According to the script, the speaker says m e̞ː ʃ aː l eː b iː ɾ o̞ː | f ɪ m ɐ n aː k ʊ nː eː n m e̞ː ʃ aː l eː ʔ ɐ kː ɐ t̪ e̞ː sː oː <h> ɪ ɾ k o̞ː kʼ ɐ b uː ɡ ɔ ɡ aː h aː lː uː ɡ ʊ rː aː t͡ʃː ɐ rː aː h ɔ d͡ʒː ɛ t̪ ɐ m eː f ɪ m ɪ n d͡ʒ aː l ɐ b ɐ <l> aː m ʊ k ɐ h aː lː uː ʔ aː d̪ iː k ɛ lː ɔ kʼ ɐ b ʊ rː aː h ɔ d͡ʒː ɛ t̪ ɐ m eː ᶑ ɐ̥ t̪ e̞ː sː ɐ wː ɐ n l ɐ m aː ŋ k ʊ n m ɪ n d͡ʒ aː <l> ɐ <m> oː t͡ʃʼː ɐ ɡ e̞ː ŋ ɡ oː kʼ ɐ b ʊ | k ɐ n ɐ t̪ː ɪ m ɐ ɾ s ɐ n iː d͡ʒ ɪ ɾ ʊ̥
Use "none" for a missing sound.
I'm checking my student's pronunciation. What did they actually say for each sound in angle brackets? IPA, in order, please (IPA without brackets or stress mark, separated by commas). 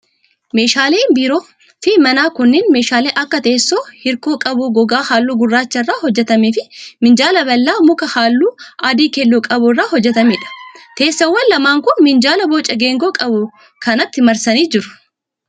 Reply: h, lː, l, b